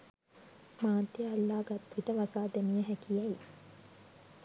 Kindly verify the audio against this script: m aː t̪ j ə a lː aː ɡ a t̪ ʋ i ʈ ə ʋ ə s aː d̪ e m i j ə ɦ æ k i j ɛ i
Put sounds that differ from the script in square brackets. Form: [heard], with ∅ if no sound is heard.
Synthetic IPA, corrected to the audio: m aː t̪ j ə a lː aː ɡ a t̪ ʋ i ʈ ə ʋ [a] s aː d̪ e m i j ə ɦ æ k i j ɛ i